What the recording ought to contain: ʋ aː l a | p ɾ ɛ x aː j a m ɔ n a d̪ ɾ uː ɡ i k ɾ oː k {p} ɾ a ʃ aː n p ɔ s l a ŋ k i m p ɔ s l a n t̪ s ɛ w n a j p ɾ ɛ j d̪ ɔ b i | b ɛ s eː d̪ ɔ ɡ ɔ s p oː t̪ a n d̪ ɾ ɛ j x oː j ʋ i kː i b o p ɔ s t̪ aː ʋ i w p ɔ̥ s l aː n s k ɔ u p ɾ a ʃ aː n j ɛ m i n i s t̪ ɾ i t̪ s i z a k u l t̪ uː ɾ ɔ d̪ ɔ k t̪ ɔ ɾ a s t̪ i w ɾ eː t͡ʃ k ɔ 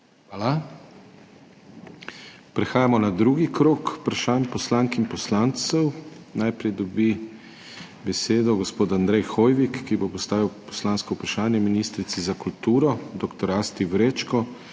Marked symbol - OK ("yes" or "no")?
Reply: yes